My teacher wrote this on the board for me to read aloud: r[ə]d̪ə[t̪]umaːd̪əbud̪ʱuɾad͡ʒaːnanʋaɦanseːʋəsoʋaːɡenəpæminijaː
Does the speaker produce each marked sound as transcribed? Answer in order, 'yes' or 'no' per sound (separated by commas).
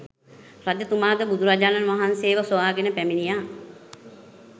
no, yes